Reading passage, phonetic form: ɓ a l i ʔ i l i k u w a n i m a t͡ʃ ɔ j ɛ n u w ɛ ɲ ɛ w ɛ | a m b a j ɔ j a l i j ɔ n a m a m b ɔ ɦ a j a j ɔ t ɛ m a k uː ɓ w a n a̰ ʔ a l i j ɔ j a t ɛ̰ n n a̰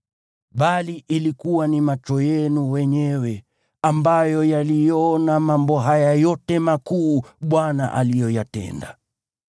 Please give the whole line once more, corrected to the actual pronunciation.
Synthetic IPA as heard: ɓ a l i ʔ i l i k u w a n i m a t͡ʃ ɔ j ɛ n u w ɛ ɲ ɛ w ɛ | a m b a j ɔ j a l i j ɔ n a m a m b ɔ ɦ a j a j ɔ t ɛ m a k uː ɓ w a n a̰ ʔ a l i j ɔ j a t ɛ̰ n d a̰